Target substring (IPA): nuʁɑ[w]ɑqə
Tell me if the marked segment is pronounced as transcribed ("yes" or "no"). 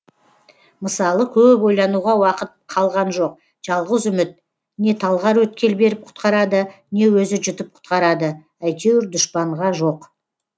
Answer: yes